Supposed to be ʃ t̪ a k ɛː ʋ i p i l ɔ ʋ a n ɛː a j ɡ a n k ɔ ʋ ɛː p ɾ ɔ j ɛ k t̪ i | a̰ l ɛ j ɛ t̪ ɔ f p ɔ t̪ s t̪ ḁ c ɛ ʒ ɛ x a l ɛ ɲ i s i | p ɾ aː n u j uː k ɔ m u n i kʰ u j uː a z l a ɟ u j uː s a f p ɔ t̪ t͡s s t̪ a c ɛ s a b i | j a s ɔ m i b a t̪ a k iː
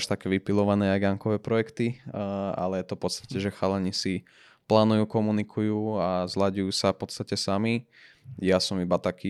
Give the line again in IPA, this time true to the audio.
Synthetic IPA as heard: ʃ t̪ a k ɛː ʋ i p i l ɔ ʋ a n ɛː a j ɡ a ŋ k ɔ ʋ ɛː p ɾ ɔ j ɛ k t̪ i | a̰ l ɛ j ɛ t̪ ɔ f p ɔ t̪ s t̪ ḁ c ɛ ʒ ɛ x a l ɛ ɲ i s i | p l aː n u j uː k ɔ m u n i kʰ u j uː a z l a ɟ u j uː s a f p ɔ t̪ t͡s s t̪ a c ɛ s a m i | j a s ɔ m i b a t̪ a k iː